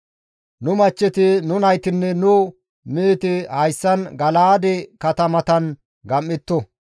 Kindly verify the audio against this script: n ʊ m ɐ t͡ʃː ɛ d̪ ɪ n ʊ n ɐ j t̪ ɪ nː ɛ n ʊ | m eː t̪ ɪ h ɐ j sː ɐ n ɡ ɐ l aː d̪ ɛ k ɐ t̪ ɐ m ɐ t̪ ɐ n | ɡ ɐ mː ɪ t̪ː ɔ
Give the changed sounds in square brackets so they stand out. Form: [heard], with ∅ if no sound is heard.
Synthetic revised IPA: n ʊ m ɐ t͡ʃː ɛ [t̪] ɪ n ʊ n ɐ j t̪ ɪ nː ɛ n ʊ | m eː t̪ ɪ h ɐ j sː ɐ n ɡ ɐ l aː d̪ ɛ k ɐ t̪ ɐ m ɐ t̪ ɐ n | ɡ ɐ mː ɪ t̪ː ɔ